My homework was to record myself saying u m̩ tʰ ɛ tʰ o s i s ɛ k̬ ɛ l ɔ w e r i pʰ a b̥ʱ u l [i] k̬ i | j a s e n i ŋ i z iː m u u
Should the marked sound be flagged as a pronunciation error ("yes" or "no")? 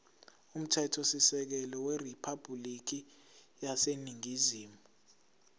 no